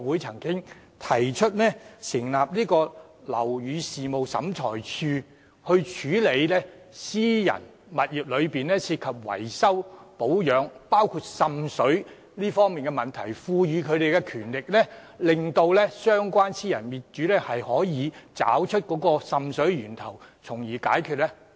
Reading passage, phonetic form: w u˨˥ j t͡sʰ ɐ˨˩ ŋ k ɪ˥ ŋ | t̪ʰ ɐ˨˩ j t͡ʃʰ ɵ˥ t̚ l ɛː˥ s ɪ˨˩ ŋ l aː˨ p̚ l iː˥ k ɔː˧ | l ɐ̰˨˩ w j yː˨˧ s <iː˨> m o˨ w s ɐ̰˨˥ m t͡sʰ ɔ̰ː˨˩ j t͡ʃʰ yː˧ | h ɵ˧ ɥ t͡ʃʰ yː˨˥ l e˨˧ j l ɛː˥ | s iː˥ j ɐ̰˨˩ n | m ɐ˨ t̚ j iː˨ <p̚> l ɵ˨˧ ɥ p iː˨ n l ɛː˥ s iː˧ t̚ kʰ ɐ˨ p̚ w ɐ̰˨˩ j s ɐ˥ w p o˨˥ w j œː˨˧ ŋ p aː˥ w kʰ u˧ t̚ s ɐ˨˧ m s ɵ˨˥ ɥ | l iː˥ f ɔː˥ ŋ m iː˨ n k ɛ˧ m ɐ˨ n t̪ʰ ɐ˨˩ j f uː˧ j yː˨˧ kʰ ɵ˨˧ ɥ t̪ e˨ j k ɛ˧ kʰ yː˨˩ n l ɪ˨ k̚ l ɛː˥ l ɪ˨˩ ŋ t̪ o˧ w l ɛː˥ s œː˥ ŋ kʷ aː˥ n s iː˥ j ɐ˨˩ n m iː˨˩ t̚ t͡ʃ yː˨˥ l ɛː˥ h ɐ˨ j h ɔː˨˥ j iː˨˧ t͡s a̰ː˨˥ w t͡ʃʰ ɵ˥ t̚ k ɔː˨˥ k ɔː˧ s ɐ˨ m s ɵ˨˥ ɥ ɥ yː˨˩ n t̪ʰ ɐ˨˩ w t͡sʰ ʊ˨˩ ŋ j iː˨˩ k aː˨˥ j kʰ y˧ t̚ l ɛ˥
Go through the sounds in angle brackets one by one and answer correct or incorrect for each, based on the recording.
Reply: correct, correct

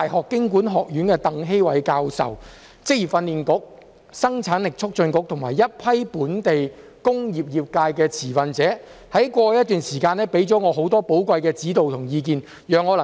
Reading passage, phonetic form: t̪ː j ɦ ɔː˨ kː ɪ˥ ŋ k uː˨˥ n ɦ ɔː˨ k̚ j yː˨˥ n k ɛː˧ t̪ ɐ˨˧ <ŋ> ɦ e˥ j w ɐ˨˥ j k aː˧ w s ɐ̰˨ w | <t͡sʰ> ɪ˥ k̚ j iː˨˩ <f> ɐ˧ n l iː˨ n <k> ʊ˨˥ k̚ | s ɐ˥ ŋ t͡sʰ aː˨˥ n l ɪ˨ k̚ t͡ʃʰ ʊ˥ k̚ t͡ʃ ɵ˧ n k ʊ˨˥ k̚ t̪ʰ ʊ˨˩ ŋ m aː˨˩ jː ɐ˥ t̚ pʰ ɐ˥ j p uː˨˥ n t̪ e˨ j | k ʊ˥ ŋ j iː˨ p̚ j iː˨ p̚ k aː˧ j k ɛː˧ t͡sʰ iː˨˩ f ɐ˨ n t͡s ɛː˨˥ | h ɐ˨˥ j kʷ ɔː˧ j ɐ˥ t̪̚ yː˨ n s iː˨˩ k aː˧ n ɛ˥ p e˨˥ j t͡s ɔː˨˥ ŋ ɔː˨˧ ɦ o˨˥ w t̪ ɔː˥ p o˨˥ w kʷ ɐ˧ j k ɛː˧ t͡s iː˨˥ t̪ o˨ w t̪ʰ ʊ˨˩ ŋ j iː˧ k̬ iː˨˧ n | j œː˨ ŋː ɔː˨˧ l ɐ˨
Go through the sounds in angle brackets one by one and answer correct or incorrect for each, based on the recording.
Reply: correct, incorrect, correct, correct

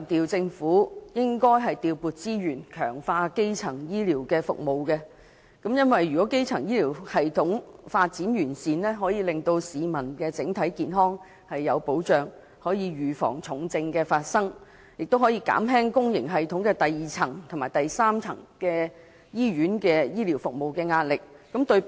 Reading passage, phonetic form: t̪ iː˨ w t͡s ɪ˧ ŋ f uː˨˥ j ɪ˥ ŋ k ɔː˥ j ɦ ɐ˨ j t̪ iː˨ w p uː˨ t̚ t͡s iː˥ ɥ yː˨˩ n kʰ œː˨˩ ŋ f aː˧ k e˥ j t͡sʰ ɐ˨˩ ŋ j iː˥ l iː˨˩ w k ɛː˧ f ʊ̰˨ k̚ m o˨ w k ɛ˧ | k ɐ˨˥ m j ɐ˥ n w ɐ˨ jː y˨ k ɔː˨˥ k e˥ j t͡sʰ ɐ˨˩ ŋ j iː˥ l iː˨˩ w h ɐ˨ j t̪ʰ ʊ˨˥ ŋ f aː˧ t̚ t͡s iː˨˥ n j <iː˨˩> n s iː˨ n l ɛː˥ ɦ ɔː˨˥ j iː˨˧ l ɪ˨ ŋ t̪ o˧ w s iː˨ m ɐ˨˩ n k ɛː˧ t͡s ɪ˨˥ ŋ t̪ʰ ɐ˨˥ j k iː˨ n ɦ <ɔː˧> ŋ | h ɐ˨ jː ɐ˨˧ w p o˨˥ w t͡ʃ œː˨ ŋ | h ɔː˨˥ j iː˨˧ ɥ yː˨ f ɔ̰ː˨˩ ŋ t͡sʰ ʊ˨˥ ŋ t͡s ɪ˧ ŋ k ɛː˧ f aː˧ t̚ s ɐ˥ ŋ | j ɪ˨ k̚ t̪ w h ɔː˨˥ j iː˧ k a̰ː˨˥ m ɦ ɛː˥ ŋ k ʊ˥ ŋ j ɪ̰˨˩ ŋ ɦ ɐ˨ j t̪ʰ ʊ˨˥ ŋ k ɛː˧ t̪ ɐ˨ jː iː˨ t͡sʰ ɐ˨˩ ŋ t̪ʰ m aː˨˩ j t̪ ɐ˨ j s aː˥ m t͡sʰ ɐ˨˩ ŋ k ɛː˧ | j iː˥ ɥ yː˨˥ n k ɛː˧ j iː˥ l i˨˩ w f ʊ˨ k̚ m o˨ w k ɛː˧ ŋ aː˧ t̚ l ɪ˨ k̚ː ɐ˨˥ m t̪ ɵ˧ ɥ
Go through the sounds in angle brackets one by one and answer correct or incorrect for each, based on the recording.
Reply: incorrect, incorrect

